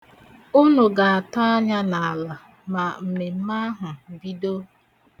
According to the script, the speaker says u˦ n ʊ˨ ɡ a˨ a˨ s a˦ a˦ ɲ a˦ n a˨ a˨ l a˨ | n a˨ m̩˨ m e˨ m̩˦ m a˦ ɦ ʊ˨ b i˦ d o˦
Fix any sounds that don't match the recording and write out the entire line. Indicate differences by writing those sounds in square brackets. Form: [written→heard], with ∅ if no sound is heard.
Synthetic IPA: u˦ n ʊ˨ ɡ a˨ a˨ [s→t] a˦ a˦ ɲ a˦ n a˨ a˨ l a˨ | [n→m] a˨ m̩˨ m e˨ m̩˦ m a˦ ɦ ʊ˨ b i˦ d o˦